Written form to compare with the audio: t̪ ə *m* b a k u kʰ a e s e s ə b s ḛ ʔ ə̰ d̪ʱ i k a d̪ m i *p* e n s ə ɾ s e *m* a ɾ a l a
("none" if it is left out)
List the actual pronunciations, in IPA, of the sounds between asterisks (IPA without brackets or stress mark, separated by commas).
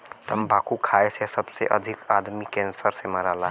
m, k, m